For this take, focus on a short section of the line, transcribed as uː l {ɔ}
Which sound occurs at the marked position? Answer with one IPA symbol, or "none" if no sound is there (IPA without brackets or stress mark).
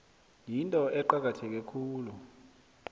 u